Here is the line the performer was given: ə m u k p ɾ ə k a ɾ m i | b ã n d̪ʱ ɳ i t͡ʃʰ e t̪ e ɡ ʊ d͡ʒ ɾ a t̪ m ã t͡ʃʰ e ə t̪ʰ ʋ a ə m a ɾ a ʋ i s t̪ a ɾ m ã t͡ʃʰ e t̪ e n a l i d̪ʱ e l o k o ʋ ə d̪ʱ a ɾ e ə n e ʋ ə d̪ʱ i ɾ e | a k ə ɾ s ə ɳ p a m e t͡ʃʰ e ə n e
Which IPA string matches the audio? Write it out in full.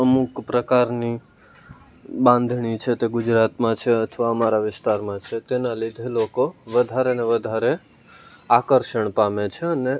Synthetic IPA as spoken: ə m u k p ɾ ə k a ɾ n i | b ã n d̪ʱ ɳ i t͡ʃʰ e t̪ e ɡ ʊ d͡ʒ ɾ a t̪ m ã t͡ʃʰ e ə t̪ʰ ʋ a ə m a ɾ a ʋ ɪ s t̪ a ɾ m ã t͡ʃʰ e t̪ e n a l i d̪ʱ e l o k o ʋ ə d̪ʱ a ɾ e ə n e ʋ ə d̪ʱ a ɾ e | a k ə ɾ ʃ ə ɳ p a m e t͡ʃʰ e ə n e